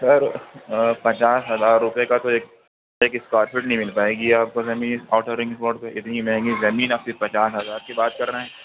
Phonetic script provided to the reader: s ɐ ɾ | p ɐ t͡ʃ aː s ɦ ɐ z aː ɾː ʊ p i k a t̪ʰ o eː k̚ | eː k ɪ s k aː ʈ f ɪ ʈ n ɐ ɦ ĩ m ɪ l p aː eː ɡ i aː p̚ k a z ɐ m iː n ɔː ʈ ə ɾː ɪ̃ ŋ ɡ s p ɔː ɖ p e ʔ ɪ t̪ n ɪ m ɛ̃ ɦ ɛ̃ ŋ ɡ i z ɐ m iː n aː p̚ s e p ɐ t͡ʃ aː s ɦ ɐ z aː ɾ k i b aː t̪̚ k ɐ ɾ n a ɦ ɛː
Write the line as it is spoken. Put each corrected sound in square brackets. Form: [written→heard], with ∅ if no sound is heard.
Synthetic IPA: s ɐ ɾ | p ɐ t͡ʃ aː s ɦ ɐ z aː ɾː ʊ p [i→e] k a [t̪ʰ→t̪] o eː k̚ | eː k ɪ s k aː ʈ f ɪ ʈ n ɐ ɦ ĩ m ɪ l p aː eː ɡ i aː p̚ k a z ɐ m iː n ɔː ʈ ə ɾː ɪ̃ ŋ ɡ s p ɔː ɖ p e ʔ ɪ t̪ n [ɪ→i] m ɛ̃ ɦ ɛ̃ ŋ ɡ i z ɐ m iː n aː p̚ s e p ɐ t͡ʃ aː s ɦ ɐ z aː ɾ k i b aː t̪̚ k ɐ ɾ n a ɦ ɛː